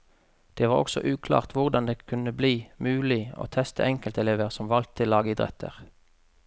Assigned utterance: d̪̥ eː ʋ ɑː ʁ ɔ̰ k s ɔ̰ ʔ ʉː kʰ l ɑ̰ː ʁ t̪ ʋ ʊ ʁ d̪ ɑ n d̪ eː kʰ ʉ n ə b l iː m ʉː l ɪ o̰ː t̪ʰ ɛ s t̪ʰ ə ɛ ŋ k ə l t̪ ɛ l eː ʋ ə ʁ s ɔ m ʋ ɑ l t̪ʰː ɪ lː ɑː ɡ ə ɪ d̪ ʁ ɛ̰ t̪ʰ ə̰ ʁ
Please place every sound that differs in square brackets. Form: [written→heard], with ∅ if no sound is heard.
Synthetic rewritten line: d̪̥ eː ʋ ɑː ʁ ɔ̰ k s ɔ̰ ʔ ʉː kʰ l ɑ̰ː ʁ t̪ ʋ ʊ ʁ d̪ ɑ n d̪ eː kʰ ʉ n ə b l iː m ʉː l ɪ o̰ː t̪ʰ ɛ s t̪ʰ ə ɛ ŋ k ə l t̪ ɛ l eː ʋ ə ʁ s ɔ m ʋ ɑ l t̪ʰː ɪ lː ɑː ɡ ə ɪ d̪ ʁ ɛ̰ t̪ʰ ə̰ ʁ

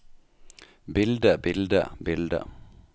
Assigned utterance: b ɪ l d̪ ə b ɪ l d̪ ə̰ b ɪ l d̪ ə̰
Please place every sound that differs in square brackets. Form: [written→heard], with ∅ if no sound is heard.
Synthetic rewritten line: b ɪ l d̪ ə b ɪ l d̪ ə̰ b ɪ l d̪ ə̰

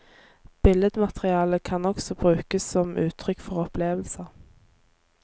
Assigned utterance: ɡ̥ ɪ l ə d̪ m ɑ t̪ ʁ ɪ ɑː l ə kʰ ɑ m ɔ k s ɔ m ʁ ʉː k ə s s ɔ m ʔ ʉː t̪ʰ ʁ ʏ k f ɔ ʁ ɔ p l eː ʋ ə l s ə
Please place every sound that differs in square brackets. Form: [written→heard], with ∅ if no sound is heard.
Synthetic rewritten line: [ɡ̥→b̥] ɪ l ə d̪ m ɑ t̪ ʁ ɪ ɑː l ə kʰ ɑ [m→n] ɔ k s ɔ [m→b] ʁ ʉː k ə s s ɔ m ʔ ʉː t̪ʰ ʁ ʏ k f ɔ ʁ ɔ p l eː ʋ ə l s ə

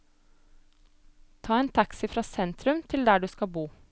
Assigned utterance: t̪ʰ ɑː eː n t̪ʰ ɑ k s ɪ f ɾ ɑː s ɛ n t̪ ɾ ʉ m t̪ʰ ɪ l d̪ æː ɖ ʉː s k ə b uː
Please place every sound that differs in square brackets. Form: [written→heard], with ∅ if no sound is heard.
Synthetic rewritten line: t̪ʰ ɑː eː n t̪ʰ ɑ k s ɪ f ɾ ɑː s ɛ n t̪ ɾ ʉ m t̪ʰ ɪ l d̪ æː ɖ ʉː s k [ə→ɑ] b uː

